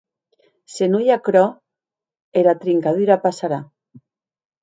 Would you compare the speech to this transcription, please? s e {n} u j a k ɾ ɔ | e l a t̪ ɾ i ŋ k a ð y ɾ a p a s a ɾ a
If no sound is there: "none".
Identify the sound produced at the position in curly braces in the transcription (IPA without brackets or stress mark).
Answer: n